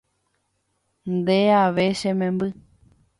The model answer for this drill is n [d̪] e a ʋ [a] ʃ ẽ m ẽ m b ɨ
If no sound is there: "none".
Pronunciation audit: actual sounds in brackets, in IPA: d̪, e

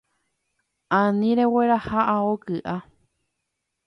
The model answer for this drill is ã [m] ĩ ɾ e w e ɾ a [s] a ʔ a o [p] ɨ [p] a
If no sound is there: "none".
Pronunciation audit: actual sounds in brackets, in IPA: n, h, k, ʔ

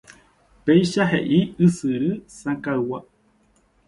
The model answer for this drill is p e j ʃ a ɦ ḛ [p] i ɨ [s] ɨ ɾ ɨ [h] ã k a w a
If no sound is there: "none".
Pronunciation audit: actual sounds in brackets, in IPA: ʔ, s, s

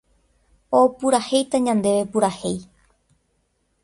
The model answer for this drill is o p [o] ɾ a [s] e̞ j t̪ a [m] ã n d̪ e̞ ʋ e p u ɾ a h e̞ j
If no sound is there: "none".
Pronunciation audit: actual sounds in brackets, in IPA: u, h, ɲ

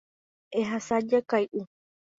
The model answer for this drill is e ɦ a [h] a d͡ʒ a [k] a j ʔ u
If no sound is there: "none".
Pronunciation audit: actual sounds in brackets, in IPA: s, k

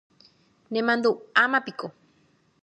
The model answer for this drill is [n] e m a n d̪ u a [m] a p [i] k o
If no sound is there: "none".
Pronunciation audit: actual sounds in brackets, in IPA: n, m, i

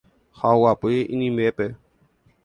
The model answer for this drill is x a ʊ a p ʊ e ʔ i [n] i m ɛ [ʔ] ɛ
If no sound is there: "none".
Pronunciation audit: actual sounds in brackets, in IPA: n, p

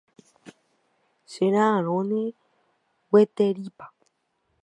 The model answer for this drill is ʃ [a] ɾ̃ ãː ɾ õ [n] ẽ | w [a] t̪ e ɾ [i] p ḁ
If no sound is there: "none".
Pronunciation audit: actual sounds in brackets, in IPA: e, n, e, i

